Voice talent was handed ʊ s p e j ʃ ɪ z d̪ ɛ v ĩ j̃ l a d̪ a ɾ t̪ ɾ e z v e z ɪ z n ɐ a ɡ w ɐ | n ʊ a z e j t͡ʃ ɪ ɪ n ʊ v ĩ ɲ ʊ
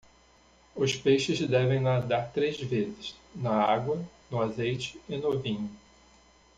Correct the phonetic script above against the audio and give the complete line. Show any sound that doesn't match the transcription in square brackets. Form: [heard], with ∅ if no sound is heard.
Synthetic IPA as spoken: ʊ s p e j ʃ ɪ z d̪ ɛ v [ẽ] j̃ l a d̪ a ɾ t̪ ɾ e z v e z ɪ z n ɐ a ɡ w ɐ | n ʊ a z e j t͡ʃ ɪ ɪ n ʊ v ĩ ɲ ʊ